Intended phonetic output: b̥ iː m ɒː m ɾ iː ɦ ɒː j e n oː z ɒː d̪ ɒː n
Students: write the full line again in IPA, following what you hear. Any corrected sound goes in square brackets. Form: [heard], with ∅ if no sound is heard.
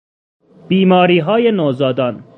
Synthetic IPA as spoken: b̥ iː m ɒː [∅] ɾ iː ɦ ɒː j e n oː z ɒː d̪ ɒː n